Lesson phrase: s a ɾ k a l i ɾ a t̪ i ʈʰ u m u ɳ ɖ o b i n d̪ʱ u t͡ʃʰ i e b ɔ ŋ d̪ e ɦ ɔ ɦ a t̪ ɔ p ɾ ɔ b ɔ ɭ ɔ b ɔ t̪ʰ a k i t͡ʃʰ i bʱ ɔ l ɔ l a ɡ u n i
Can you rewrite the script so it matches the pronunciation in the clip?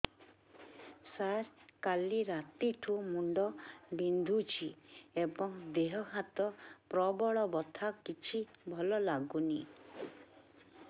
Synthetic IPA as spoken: s a ɾ k a l i ɾ a t̪ i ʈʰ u m u ɳ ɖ ɔ b i n d̪ʱ u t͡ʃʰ i e b ɔ ŋ d̪ e ɦ ɔ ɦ a t̪ ɔ p ɾ ɔ b ɔ ɭ ɔ b ɔ t̪ʰ a k i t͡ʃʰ i bʱ ɔ l ɔ l a ɡ u n i